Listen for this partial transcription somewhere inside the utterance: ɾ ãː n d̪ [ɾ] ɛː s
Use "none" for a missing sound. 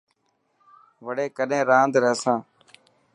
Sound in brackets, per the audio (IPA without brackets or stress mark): ɾ